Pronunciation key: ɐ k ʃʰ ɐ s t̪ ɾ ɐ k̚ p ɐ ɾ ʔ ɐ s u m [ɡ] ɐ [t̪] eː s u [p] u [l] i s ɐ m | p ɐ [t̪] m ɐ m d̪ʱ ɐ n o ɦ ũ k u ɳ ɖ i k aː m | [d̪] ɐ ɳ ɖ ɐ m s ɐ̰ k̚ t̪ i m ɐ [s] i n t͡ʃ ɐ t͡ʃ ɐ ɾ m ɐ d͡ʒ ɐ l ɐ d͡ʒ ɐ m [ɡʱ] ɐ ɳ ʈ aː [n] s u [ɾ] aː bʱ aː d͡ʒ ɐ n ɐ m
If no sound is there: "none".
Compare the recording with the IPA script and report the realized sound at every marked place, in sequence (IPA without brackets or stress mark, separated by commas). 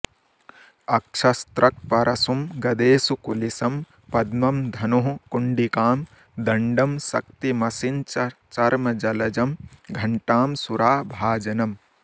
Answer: ɡ, d̪, k, l, d̪, d̪, s, ɡʱ, m, ɾ